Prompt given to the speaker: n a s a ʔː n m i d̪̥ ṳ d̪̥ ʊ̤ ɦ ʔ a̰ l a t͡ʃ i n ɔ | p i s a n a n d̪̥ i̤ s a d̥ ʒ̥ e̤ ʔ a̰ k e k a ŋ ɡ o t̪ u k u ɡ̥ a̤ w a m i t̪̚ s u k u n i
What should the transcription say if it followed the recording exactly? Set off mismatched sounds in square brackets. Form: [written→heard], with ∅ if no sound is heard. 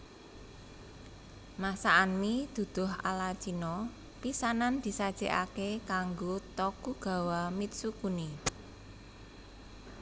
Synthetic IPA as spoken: [n→m] a s a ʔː n m i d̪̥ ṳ d̪̥ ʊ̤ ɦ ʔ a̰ l a t͡ʃ i n ɔ | p i s a n a n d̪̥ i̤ s a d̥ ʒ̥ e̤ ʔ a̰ k e k a ŋ ɡ o t̪ [u→ɔ] k u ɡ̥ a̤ w a m i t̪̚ s u k u n i